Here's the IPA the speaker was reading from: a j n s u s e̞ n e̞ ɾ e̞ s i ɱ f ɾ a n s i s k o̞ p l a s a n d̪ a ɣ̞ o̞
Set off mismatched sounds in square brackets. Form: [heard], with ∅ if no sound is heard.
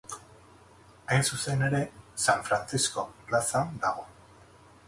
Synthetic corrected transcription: a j n s u s e̞ n e̞ ɾ e̞ s [a] ɱ f ɾ a n [t͡s] i s k o̞ p l a s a n d̪ a ɣ̞ o̞